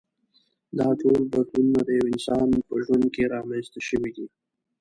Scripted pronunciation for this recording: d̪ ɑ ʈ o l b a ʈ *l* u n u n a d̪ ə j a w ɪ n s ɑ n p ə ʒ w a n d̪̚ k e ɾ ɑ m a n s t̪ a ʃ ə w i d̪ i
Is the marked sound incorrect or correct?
correct